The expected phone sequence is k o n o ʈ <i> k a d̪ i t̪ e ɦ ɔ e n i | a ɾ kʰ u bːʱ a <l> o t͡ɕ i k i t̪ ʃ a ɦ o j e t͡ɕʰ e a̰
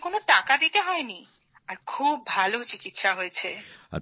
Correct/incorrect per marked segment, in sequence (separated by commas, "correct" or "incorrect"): incorrect, correct